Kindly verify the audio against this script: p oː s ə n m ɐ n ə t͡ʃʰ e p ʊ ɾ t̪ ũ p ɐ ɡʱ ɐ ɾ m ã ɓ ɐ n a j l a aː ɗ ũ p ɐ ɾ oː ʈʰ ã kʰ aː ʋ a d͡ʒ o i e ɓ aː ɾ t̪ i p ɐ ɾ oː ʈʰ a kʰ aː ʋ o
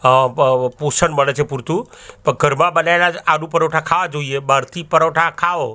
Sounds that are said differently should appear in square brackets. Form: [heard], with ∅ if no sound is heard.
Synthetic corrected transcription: p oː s ə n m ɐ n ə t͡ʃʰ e p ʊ ɾ t̪ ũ p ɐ ɡʱ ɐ ɾ m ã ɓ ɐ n a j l a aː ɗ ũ p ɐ ɾ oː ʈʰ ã kʰ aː ʋ a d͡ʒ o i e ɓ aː ɾ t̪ i p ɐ ɾ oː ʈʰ a kʰ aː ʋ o